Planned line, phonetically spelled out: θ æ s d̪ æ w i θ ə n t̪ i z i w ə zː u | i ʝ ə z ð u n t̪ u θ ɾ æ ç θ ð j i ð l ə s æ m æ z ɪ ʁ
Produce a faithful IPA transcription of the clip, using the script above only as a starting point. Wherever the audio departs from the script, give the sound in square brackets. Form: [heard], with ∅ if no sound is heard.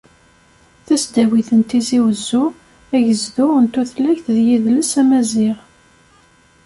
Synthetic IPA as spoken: θ æ s d̪ æ w i θ ə n t̪ i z i w ə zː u | [æ] ʝ ə z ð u n t̪ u θ [l] æ ç θ ð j i ð l ə s æ m æ z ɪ ʁ

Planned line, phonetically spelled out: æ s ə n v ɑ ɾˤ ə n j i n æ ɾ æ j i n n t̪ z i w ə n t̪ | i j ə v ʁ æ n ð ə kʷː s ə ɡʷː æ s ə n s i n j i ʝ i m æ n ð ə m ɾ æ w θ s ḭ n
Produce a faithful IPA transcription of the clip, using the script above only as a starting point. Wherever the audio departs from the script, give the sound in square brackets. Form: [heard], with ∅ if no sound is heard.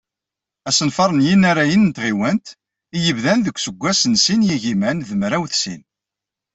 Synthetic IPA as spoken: æ s ə n [f] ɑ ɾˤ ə n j i n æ ɾ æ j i n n t̪ [ʁ] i w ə n t̪ | i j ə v [ð] æ n ð ə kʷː s ə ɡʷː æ s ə n s i n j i ʝ i m æ n ð ə m ɾ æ w θ s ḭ n

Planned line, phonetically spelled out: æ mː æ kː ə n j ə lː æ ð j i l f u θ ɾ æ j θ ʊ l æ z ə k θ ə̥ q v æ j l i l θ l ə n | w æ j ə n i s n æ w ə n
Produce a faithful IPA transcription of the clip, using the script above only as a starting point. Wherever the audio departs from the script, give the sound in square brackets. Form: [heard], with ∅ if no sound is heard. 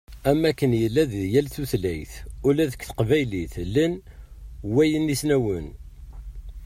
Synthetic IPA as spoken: æ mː æ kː ə n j ə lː æ ð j [æ] l [θ] u θ [l] æ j θ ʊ l æ [ð] ə k θ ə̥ q v æ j l i [∅] θ l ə n | w æ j ə n i s n æ w ə n

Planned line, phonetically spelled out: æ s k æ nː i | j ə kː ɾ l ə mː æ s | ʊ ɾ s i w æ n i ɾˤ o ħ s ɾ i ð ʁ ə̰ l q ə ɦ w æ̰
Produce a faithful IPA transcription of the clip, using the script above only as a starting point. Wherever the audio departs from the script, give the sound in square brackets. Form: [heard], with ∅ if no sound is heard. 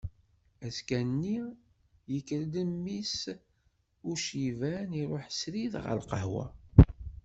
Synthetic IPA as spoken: æ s k æ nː i | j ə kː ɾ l ə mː [i] s | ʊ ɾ [ʃ] i [v] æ n i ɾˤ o ħ s ɾ i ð ʁ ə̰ l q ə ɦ w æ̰

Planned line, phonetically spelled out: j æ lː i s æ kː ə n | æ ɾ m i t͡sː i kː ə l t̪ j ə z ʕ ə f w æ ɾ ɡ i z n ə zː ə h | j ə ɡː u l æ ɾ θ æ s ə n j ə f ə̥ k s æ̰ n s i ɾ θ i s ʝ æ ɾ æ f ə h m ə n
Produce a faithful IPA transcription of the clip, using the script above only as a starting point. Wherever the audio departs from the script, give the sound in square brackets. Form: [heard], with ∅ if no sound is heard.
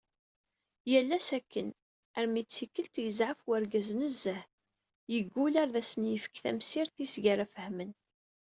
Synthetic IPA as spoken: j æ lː [æ] s æ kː ə n | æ ɾ m i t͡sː i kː ə l t̪ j ə z ʕ ə f w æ ɾ ɡ [æ] z n ə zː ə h | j ə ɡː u l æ ɾ [ð] æ s ə n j ə f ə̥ k [θ] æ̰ [m] s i ɾ θ i s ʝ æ ɾ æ f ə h m ə n

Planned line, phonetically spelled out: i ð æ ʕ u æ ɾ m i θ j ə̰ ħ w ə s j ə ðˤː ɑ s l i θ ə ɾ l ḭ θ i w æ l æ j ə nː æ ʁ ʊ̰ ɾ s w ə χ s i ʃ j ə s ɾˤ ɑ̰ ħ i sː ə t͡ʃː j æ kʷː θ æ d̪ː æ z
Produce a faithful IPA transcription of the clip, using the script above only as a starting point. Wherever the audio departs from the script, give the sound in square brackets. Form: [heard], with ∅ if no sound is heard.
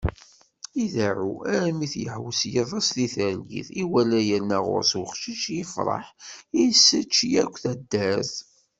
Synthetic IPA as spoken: i ð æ ʕ u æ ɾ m i θ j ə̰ ħ w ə s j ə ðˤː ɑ s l i θ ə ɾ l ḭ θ i w æ l æ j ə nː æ ʁ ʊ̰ ɾ s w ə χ [ʃ] i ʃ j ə [f] ɾˤ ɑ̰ ħ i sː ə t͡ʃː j æ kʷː θ æ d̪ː æ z

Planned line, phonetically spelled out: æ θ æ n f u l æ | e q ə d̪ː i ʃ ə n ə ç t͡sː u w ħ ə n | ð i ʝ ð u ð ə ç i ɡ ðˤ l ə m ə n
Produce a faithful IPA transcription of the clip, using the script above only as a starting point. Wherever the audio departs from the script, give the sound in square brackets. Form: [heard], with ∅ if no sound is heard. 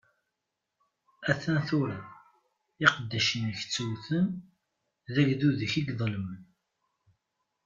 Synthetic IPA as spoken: æ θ æ n [θ] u [ɾ] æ | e q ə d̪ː [æ] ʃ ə n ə ç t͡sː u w [θ] ə n | ð [æ] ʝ ð u ð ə ç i ɡ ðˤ l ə m ə n

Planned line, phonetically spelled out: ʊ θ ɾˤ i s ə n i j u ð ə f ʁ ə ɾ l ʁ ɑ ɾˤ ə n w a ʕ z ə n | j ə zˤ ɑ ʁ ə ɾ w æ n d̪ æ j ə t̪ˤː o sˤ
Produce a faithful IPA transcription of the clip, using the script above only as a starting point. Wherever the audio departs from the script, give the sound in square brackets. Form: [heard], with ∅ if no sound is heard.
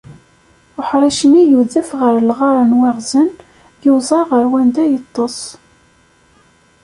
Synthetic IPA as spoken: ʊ [ħ] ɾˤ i [ʃ] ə n i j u ð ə f ʁ ə ɾ l ʁ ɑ ɾˤ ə n w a [ʁ] z ə n | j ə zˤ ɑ ʁ ə ɾ w æ n d̪ æ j ə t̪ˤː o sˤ

